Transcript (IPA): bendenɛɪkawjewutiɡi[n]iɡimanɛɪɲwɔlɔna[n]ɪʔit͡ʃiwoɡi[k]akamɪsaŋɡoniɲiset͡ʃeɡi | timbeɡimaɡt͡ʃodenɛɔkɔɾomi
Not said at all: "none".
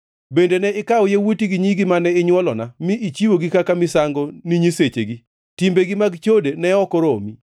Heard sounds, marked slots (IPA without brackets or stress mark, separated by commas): ɲ, m, k